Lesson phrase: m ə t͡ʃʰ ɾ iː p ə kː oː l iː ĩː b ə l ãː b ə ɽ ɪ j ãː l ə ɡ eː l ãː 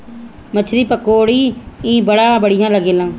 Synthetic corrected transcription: m ə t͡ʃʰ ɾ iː p ə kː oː ɽ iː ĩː b ə ɽ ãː b ə ɽ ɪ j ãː l ə ɡ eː l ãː